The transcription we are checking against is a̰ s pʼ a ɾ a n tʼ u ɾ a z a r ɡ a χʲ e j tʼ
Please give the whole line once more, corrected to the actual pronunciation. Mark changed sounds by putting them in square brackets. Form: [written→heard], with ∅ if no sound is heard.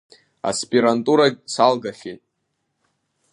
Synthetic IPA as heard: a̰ s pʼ [a→i] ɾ a n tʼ u ɾ a [z→s] a [r→l] ɡ a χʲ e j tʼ